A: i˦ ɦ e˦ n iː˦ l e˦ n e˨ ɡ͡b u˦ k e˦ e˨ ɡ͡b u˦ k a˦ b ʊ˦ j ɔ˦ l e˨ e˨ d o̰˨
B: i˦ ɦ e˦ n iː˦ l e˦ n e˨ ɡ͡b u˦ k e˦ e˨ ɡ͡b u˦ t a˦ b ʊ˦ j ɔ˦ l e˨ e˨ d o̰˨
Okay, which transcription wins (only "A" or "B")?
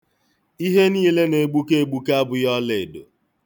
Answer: A